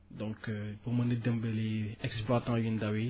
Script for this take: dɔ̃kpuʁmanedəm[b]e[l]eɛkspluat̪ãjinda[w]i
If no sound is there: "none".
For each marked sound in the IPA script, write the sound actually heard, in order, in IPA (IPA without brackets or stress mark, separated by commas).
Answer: b, l, w